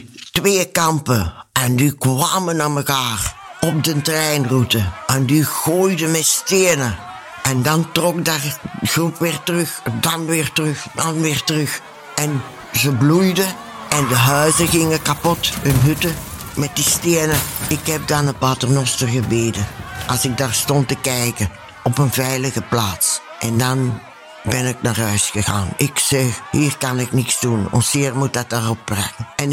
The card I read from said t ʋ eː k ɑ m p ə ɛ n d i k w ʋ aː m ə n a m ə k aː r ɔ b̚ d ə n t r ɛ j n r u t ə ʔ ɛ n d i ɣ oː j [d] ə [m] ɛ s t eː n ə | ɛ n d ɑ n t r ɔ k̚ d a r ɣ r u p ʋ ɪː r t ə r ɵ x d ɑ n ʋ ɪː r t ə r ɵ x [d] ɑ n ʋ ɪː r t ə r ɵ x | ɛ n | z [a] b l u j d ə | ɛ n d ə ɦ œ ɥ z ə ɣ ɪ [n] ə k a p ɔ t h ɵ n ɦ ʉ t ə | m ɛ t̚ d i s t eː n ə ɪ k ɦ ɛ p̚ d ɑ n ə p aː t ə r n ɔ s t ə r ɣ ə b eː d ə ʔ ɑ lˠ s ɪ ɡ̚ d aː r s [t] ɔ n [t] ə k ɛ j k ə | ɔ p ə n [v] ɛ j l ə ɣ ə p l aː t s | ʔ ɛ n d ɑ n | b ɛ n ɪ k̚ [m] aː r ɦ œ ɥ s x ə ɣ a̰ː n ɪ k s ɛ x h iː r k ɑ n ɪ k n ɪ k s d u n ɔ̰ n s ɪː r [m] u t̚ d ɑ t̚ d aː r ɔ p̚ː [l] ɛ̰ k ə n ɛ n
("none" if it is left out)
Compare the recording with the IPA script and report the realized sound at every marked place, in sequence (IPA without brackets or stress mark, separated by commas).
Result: d, m, d, ə, ŋ, t, t, v, n, m, r